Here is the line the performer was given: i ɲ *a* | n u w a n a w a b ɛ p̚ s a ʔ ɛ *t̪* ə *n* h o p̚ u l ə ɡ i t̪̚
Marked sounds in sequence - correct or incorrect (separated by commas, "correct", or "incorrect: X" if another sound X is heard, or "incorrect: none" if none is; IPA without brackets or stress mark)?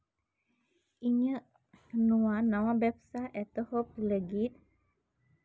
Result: incorrect: ə, correct, incorrect: none